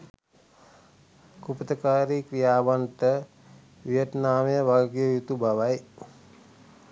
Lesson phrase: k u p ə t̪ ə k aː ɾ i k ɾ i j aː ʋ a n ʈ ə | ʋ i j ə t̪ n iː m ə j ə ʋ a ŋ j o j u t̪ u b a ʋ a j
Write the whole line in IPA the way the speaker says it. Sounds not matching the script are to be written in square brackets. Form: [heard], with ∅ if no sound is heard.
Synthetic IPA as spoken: k u p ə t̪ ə k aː ɾ i k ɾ i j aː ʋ a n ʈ ə | ʋ i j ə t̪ n [aː] m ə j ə ʋ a [ɡ] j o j u t̪ u b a ʋ a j